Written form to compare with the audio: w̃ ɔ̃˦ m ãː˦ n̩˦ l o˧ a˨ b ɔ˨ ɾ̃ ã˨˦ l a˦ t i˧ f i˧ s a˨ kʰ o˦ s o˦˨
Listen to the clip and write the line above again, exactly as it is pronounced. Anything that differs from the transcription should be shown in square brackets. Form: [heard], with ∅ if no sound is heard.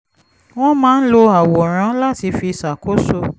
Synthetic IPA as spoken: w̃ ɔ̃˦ m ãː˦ n̩˦ l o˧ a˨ [w] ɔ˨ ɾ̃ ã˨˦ l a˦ t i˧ f i˧ s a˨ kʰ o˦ s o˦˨